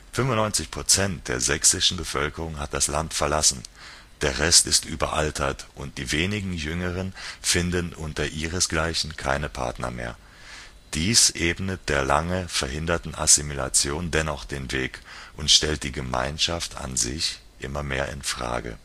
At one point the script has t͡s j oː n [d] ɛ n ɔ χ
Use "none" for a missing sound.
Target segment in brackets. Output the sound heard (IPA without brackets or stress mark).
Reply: d